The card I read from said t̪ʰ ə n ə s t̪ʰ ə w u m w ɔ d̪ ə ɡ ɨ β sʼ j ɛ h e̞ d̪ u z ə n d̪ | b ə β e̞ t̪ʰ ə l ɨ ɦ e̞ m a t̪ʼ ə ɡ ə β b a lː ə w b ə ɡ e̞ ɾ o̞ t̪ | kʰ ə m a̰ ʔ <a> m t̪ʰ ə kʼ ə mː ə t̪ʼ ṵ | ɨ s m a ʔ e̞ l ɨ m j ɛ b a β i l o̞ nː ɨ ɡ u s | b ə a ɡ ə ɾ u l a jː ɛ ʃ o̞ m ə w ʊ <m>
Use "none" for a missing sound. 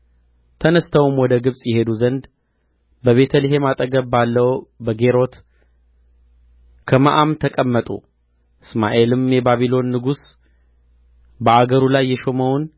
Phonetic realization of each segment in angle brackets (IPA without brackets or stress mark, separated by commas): a, n